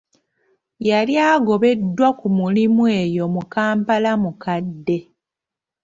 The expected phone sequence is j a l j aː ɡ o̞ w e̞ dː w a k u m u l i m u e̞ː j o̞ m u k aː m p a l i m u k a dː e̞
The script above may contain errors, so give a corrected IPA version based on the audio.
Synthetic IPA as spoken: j a l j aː ɡ o̞ β e̞ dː w a k u m u l i m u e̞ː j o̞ m u k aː m p a l a m u k a dː e̞